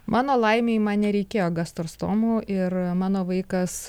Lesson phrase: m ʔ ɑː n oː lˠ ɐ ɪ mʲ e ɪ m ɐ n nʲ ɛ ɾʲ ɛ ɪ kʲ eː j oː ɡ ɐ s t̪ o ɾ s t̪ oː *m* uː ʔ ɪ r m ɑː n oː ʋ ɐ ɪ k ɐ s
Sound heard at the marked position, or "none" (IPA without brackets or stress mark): m